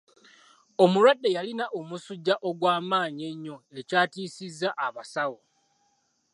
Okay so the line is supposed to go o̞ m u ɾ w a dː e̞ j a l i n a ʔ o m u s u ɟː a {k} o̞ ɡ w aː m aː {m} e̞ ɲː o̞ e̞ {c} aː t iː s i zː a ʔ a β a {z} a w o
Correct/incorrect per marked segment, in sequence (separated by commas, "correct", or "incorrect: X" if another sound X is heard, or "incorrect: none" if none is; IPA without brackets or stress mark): incorrect: ʔ, incorrect: ɲ, correct, incorrect: s